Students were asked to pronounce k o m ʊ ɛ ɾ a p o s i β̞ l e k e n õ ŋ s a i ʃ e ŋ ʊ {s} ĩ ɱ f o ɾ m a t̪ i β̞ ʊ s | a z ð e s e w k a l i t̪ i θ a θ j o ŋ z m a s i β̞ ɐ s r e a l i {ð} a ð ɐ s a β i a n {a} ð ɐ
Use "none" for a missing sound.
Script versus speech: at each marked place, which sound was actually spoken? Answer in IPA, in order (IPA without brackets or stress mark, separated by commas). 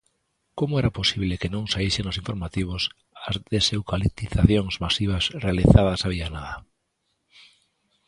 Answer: s, θ, a